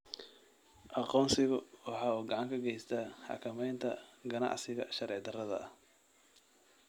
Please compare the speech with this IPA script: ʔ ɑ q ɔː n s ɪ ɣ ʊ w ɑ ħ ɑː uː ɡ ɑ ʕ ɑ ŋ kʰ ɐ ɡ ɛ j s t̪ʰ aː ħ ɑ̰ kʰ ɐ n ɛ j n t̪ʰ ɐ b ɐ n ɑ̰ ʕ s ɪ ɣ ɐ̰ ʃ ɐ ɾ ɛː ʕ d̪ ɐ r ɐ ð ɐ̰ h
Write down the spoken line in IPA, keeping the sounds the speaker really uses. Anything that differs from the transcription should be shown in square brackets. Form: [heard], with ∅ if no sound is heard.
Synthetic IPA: ʔ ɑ q ɔː n s ɪ ɣ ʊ w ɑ ħ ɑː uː ɡ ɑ ʕ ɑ ŋ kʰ ɐ ɡ ɛ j s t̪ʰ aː ħ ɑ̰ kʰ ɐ [m] ɛ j n t̪ʰ ɐ [ɡ] ɐ n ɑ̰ ʕ s ɪ ɣ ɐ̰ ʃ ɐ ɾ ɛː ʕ d̪ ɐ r ɐ ð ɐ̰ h